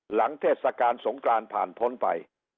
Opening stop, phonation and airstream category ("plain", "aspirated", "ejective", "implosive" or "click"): aspirated